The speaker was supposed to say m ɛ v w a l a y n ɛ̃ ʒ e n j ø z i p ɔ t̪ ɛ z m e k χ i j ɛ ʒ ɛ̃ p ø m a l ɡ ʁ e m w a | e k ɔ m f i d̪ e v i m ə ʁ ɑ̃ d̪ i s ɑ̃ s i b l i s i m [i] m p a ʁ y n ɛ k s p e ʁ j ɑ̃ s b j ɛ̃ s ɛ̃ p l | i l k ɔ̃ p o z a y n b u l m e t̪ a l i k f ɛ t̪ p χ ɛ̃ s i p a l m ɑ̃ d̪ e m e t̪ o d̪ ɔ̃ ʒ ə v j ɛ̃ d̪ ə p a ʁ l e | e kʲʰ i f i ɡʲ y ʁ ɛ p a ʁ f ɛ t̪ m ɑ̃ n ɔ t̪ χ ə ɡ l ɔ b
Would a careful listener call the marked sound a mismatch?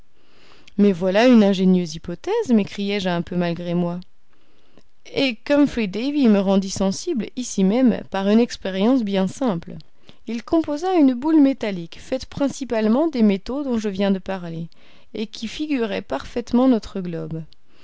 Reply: yes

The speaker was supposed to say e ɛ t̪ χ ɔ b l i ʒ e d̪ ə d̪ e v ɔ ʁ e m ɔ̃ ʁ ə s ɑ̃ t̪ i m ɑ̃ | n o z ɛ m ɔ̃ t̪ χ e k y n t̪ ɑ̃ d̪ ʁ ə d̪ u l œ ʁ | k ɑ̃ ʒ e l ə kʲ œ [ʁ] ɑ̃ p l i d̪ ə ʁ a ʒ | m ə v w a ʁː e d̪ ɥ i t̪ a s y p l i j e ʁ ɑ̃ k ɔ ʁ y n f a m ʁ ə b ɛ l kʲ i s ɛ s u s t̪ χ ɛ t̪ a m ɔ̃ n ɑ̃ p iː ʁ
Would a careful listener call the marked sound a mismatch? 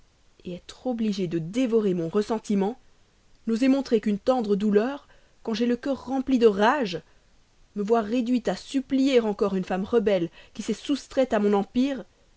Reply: yes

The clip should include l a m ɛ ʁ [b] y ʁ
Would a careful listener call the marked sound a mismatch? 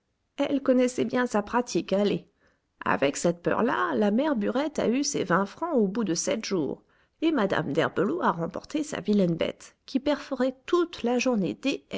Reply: no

